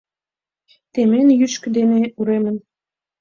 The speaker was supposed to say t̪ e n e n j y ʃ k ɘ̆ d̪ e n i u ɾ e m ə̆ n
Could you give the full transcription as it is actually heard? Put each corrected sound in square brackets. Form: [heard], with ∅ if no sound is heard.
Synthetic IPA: t̪ e [m] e n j y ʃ k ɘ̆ d̪ e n [e] u ɾ e m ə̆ n